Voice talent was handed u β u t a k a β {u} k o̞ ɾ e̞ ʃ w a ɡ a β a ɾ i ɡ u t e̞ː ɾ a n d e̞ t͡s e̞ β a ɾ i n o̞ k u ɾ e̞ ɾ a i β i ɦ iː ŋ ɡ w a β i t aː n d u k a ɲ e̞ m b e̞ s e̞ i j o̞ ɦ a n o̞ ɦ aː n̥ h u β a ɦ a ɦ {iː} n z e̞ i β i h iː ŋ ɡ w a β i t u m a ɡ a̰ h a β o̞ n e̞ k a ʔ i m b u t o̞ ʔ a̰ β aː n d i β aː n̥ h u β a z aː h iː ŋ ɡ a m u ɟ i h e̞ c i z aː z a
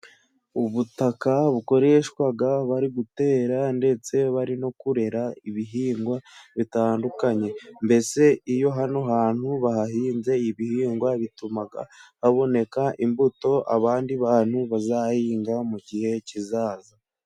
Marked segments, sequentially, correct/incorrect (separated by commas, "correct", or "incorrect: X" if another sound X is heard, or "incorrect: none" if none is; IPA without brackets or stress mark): correct, correct